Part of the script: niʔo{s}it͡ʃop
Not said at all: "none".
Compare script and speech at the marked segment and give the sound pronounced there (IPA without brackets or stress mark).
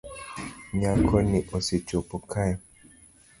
s